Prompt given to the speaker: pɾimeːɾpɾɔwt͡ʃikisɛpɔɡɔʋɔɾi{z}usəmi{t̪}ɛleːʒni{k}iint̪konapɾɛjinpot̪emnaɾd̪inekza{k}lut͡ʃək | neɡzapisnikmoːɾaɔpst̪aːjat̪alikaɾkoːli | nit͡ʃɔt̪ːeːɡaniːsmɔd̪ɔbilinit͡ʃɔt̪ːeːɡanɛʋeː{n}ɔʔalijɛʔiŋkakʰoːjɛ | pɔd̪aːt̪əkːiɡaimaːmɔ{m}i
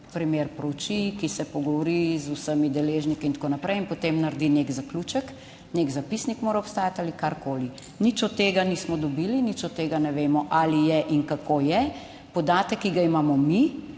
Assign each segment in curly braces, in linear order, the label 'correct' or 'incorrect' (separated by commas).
correct, incorrect, correct, correct, incorrect, correct